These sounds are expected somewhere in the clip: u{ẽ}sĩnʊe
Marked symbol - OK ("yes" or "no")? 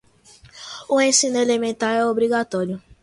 yes